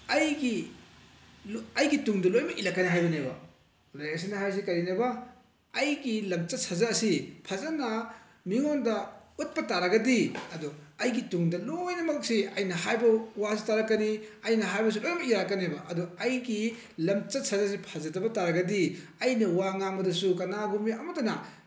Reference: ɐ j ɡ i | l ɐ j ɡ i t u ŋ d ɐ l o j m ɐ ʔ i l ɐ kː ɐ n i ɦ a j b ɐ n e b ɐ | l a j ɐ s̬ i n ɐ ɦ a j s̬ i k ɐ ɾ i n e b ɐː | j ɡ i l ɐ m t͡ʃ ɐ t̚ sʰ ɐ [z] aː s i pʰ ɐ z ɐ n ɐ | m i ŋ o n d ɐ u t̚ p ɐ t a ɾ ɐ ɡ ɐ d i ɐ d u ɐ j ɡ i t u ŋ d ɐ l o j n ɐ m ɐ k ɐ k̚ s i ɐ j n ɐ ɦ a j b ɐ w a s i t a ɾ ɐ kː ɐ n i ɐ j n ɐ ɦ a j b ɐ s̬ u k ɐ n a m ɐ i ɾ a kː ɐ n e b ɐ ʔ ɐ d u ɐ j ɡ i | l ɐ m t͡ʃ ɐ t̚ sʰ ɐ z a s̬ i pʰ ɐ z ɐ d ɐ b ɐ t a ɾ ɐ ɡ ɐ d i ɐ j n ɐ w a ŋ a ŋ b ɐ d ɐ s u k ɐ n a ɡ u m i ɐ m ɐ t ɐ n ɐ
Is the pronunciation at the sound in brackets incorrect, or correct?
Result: correct